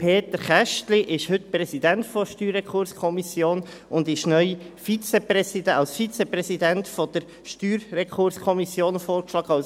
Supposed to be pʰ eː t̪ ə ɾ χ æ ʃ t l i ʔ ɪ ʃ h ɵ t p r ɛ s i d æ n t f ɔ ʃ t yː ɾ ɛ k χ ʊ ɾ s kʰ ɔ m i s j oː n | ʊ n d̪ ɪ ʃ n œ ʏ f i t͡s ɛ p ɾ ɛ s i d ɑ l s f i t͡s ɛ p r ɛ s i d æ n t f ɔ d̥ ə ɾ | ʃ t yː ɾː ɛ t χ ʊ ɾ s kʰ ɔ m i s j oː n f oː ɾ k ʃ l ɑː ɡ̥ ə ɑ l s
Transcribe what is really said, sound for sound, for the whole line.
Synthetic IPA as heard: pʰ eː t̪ ə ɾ χ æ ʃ t l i ʔ ɪ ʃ h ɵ t p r ɛ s i d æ n t f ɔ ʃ t yː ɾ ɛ k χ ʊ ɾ s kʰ ɔ m i s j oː n | ʊ n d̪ ɪ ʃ n œ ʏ f i t͡s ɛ p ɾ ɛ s i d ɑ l s f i t͡s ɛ p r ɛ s i d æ n t f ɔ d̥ ə ɾ | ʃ t yː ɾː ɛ k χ ʊ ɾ s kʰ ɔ m i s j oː n f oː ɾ k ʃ l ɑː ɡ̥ ə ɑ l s